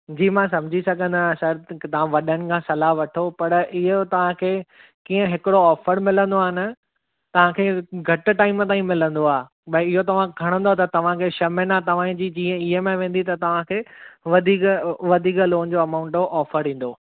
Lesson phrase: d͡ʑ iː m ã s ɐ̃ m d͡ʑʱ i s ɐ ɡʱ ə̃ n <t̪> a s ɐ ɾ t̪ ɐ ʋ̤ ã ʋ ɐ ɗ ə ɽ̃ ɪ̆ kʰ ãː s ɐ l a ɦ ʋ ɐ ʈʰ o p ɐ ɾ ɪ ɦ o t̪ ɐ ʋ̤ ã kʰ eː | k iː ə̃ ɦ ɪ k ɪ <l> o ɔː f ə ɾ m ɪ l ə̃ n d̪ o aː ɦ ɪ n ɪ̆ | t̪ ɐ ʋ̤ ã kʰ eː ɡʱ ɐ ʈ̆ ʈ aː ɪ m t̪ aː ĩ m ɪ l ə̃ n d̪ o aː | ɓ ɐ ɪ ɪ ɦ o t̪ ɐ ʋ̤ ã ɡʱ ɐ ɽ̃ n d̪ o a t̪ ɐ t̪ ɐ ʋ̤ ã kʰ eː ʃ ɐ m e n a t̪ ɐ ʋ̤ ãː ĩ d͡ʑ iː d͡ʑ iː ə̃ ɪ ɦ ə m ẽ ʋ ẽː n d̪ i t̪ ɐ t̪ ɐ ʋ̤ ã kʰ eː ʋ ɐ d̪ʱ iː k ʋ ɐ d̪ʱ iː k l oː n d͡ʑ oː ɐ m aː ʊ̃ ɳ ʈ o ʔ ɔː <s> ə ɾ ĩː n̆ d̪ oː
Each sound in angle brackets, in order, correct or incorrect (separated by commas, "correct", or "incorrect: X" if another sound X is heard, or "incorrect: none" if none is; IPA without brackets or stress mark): incorrect: d̪, incorrect: ɽ, incorrect: f